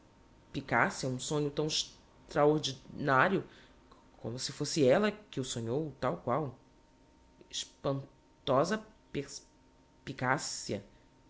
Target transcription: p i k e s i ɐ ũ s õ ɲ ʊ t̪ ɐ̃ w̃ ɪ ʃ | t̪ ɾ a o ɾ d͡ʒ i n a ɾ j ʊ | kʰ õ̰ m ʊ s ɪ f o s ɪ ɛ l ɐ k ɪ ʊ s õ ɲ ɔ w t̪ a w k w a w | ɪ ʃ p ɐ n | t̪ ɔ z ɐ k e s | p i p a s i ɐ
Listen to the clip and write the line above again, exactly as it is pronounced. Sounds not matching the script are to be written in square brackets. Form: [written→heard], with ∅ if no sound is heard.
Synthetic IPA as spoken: p i k [e→a] s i ɐ ũ s õ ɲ ʊ t̪ ɐ̃ w̃ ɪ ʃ | t̪ ɾ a o ɾ d͡ʒ i n a ɾ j ʊ | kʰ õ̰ m ʊ s ɪ f o s ɪ ɛ l ɐ k ɪ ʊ s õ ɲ [ɔ→o] w t̪ a w k w a w | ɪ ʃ p [ɐ→ɐ̃] n | t̪ ɔ z ɐ [k→p] e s | p i [p→k] a s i ɐ